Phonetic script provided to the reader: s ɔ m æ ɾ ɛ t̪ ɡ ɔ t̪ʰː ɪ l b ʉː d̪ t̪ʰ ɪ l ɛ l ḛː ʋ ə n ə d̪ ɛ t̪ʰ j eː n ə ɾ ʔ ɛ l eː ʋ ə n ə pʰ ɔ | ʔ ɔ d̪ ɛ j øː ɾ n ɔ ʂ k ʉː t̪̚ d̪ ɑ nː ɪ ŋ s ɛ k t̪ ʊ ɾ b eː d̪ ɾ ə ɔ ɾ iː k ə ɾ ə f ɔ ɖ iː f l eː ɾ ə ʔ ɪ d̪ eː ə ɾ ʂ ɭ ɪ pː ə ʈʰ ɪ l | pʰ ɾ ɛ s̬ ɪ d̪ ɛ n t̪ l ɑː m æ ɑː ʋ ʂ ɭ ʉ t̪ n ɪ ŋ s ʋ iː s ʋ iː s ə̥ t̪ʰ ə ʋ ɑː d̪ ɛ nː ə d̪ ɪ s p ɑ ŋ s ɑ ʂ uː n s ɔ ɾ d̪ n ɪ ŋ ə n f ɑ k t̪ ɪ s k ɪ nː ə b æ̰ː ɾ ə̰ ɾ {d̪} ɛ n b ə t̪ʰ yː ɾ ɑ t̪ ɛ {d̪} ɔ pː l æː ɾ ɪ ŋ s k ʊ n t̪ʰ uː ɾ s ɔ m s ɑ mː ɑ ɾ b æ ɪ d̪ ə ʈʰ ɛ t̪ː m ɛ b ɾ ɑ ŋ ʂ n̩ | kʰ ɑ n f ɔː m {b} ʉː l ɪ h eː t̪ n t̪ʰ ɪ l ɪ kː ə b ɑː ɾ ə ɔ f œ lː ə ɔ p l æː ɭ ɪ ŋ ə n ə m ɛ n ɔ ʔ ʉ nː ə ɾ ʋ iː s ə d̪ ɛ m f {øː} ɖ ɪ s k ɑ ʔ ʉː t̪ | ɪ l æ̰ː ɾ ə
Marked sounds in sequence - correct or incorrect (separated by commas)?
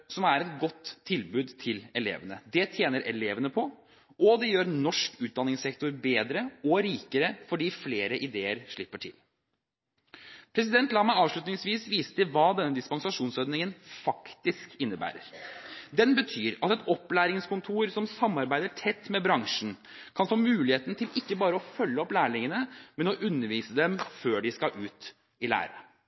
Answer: correct, incorrect, incorrect, correct